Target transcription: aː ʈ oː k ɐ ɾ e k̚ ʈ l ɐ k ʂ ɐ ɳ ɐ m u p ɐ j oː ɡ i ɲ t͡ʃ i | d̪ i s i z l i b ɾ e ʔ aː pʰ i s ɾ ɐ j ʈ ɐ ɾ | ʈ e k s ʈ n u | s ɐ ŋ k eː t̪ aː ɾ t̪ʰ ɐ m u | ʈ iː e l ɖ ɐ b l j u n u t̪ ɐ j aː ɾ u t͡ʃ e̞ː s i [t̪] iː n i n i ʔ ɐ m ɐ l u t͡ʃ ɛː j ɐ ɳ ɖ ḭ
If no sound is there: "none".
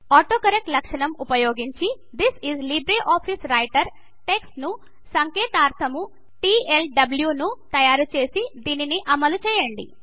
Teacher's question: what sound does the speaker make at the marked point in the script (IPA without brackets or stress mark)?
d̪